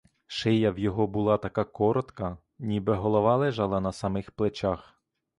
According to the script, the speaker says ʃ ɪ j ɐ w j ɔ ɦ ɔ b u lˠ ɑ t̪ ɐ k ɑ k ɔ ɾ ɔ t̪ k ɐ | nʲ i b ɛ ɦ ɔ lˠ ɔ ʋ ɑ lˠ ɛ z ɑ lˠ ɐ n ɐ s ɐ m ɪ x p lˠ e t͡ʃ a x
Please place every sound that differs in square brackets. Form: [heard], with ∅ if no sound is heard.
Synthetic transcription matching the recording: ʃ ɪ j ɐ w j ɔ ɦ ɔ b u lˠ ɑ t̪ ɐ k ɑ k ɔ ɾ ɔ t̪ k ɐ | nʲ i b ɛ ɦ ɔ lˠ ɔ ʋ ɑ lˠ ɛ [ʒ] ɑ lˠ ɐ n ɐ s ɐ m ɪ x p lˠ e t͡ʃ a x